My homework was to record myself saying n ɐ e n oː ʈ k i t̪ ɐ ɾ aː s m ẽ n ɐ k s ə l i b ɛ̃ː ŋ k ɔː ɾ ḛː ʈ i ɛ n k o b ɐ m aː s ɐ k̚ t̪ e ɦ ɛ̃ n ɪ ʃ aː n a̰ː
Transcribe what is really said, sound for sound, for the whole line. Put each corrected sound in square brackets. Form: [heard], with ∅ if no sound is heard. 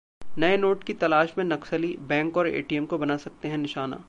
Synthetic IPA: n ɐ e n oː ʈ k i t̪ ɐ [l] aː [ʃ] m ẽ n ɐ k s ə l i b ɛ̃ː ŋ k ɔː ɾ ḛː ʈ i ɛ [m] k o b ɐ [n] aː s ɐ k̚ t̪ e ɦ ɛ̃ n ɪ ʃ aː n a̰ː